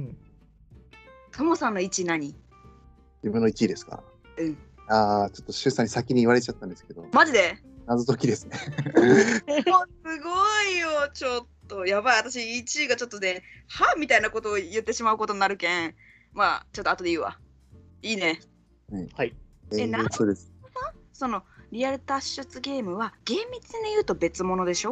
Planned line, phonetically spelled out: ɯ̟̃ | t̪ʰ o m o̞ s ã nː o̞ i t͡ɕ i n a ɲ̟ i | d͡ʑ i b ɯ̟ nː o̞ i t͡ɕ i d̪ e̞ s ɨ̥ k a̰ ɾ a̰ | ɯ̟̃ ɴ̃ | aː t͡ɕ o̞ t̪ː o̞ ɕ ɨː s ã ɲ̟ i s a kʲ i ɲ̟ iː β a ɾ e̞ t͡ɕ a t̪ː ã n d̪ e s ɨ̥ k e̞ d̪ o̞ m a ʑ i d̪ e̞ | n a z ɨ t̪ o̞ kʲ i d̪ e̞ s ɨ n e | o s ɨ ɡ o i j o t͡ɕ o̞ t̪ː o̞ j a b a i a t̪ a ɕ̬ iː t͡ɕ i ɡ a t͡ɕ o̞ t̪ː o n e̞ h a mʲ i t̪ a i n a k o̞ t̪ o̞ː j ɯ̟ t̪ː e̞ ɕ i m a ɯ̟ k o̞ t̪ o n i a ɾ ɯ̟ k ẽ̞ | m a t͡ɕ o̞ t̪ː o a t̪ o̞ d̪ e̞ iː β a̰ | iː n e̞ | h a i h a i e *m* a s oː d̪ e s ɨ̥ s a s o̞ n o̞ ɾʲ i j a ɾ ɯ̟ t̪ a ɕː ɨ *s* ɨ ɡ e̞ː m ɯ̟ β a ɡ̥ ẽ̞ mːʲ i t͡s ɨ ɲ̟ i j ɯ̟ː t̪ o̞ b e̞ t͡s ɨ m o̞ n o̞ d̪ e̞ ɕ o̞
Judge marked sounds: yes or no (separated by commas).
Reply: no, no